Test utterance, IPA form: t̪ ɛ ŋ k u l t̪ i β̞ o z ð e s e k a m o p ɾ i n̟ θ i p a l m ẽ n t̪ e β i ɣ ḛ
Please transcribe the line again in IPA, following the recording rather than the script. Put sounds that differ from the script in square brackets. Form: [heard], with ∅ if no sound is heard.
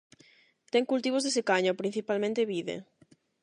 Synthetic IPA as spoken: t̪ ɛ ŋ k u l t̪ i β̞ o z ð e s e k a [ɲ] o p ɾ i n̟ θ i p a l m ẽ n t̪ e β i [ð] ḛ